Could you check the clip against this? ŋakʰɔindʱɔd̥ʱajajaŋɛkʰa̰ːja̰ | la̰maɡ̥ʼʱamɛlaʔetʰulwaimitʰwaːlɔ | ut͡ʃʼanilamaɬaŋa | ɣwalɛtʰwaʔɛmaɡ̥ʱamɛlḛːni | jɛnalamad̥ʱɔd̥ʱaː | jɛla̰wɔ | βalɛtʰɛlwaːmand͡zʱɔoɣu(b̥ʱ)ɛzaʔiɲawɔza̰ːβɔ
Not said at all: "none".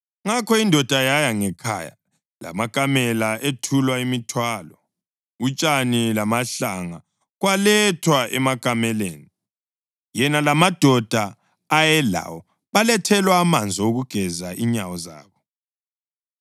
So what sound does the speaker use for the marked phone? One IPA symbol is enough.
ɡ̥ʱ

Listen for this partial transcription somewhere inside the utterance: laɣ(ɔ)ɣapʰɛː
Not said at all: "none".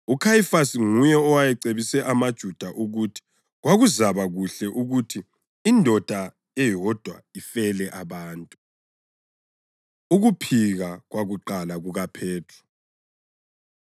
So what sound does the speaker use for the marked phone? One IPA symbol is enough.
u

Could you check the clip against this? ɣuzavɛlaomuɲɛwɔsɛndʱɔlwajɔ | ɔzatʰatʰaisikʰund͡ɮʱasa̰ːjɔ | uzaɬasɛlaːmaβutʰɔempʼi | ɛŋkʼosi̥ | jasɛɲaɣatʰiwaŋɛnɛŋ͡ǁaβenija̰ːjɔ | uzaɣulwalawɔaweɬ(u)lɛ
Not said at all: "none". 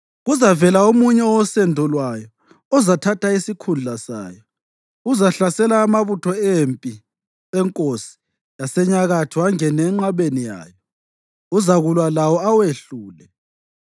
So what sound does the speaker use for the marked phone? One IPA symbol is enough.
uː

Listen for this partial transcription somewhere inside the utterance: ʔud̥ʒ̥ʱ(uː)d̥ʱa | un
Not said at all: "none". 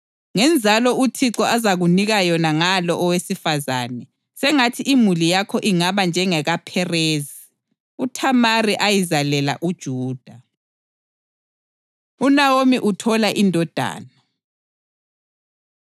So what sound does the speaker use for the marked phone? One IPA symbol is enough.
uː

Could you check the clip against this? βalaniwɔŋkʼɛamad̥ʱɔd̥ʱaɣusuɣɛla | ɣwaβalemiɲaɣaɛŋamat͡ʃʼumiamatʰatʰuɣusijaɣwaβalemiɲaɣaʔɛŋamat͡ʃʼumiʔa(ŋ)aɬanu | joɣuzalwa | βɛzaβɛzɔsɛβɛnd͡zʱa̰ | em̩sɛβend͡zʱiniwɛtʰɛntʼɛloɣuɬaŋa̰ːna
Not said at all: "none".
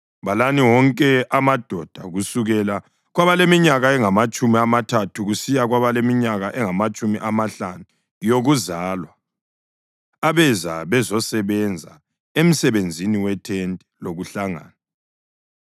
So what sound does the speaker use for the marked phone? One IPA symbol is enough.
m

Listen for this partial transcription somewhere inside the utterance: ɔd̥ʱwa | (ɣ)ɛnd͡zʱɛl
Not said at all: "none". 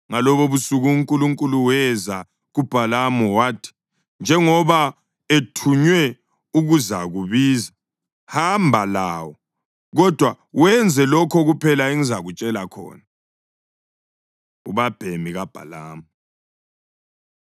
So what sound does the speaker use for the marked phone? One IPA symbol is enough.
w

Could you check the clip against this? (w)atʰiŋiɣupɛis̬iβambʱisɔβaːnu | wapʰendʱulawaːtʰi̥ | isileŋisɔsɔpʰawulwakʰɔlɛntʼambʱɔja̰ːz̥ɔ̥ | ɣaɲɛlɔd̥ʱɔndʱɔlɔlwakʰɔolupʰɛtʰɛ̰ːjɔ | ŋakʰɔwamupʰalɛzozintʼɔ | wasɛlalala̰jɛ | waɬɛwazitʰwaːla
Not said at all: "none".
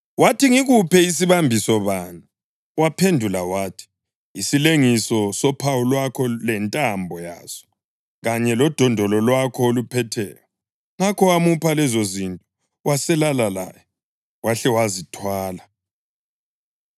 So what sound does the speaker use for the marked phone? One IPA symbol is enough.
w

